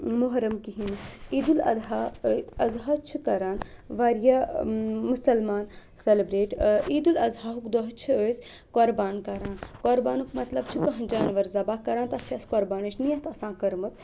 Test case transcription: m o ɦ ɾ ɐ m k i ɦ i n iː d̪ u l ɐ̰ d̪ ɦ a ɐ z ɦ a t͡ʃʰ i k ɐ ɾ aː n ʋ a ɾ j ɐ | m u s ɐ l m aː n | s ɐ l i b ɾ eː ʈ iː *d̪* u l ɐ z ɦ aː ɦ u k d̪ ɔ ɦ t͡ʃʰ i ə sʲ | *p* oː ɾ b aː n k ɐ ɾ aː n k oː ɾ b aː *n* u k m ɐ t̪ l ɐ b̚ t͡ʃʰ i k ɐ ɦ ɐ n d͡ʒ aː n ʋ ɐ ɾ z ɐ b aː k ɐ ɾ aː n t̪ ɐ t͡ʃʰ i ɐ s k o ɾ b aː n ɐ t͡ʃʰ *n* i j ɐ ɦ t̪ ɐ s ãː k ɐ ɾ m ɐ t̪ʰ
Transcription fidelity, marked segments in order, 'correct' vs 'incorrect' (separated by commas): correct, incorrect, correct, correct